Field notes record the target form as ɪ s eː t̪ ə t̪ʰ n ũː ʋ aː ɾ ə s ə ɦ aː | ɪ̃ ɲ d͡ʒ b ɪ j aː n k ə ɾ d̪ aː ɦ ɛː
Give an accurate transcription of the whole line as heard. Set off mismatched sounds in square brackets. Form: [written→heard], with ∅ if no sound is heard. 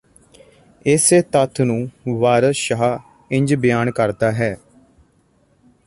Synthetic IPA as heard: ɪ s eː t̪ ə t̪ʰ n ũː ʋ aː ɾ ə [s→ʃ] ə ɦ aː | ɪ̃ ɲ d͡ʒ b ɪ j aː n k ə ɾ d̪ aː ɦ ɛː